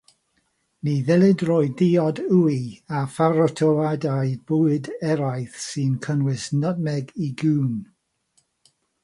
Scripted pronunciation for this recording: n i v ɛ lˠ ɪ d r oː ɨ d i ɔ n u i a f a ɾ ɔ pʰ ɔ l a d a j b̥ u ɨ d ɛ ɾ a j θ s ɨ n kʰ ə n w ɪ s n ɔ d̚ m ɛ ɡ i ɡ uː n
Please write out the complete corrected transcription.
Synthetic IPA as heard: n i ð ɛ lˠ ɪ d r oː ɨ d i ɔ d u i a f a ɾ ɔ tʰ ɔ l a d a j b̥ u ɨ d ɛ ɾ a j θ s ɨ n kʰ ə n w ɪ s n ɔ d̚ m ɛ ɡ i ɡ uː n

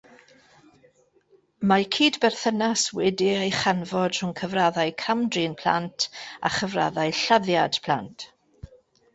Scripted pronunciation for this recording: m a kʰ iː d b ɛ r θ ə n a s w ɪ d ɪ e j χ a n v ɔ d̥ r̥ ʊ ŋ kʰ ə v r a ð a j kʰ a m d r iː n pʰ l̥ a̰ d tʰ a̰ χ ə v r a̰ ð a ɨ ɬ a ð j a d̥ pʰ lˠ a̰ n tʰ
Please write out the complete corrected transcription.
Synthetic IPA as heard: m a kʰ iː d b ɛ r θ ə n a s w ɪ d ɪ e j χ a n v ɔ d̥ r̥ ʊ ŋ kʰ ə v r a ð a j kʰ a m d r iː n pʰ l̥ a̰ n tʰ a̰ χ ə v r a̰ ð a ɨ ɬ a ð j a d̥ pʰ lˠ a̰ n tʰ

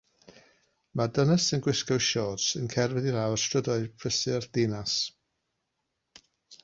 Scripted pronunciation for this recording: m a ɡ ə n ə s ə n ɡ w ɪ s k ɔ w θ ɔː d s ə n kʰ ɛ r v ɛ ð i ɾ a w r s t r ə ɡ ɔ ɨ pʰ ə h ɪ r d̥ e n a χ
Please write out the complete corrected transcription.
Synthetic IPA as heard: m a d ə n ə s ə n ɡ w ɪ s k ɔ w ʃ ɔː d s ə n kʰ ɛ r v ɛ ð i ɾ a w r s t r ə d ɔ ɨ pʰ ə s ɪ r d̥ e n a s

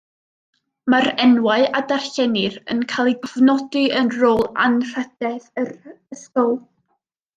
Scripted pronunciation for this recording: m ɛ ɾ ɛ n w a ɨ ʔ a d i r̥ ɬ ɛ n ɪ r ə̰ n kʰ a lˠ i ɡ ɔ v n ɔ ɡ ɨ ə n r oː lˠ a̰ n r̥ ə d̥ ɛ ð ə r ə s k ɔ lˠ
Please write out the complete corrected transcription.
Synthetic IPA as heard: m a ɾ ɛ n w a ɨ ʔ a d a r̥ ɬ ɛ n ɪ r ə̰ n kʰ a lˠ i ɡ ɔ v n ɔ d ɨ ə n r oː lˠ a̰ n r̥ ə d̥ ɛ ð ə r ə s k ɔ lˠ

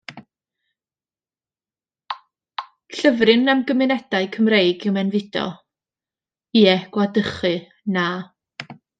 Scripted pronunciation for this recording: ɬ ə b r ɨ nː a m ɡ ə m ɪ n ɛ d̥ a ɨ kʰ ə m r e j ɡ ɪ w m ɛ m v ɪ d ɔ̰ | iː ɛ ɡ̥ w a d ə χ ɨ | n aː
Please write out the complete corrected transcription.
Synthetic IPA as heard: ɬ ə v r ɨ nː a m ɡ ə m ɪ n ɛ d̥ a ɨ kʰ ə m r e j ɡ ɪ w m ɛ n v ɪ d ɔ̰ | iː ɛ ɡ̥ w a d ə χ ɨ | n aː

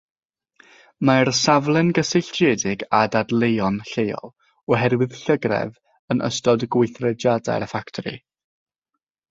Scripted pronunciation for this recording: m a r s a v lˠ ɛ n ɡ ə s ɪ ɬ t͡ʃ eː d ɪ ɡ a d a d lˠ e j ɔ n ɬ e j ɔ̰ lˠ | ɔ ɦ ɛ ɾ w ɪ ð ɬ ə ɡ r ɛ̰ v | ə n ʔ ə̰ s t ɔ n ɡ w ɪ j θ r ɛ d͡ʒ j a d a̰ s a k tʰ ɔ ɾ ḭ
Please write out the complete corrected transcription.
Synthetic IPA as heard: m a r s a v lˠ ɛ n ɡ ə s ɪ ɬ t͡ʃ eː d ɪ ɡ a d a d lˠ e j ɔ n ɬ e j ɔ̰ lˠ | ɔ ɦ ɛ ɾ w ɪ ð ɬ ə ɡ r ɛ̰ v | ə n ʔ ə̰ s t ɔ d ɡ w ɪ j θ r ɛ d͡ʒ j a d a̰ f a k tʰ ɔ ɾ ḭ

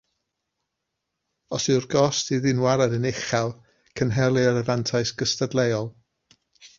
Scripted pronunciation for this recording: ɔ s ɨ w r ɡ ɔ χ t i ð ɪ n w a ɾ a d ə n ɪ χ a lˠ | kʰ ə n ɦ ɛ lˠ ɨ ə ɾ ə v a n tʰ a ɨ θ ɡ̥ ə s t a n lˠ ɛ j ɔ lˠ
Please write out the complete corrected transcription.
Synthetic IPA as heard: ɔ s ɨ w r ɡ ɔ s t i ð ɪ n w a ɾ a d ə n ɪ χ a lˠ | kʰ ə n ɦ ɛ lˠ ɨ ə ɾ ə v a n tʰ a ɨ s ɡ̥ ə s t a d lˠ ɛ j ɔ lˠ

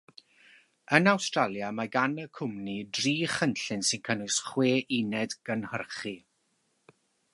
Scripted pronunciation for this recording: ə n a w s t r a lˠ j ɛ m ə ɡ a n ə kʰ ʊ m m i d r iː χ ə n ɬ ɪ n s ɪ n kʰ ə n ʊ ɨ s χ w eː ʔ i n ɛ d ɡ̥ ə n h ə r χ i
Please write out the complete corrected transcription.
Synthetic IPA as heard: ə n a w s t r a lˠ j a m a ɡ a n ə kʰ ʊ m n i d r iː χ ə n ɬ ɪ n s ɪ n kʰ ə n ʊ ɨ s χ w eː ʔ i n ɛ d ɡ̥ ə n h ə r χ i

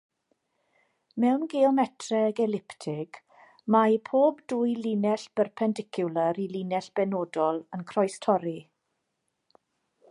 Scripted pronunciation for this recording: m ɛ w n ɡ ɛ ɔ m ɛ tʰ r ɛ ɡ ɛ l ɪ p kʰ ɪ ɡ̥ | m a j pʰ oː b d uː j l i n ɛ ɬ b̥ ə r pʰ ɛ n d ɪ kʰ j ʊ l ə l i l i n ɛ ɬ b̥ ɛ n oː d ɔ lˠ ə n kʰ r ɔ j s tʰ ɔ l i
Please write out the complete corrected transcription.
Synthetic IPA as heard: m ɛ w n ɡ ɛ ɔ m ɛ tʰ r ɛ ɡ ɛ l ɪ p tʰ ɪ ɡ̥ | m a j pʰ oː b d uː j l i n ɛ ɬ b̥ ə r pʰ ɛ n d ɪ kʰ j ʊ l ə ɾ i l i n ɛ ɬ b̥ ɛ n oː d ɔ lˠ ə n kʰ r ɔ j s tʰ ɔ ɾ i

